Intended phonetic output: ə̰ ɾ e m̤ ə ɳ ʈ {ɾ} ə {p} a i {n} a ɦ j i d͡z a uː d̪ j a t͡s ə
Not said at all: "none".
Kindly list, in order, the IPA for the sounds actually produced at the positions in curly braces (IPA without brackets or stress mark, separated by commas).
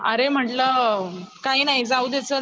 l, k, n